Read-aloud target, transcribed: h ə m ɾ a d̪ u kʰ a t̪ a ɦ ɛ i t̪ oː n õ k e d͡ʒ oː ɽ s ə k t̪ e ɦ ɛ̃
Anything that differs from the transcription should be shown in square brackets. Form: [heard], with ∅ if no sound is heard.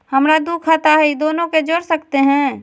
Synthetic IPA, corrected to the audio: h ə m ɾ a d̪ u kʰ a t̪ a ɦ ɛ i [d̪] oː n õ k e d͡ʒ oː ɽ s ə k t̪ e ɦ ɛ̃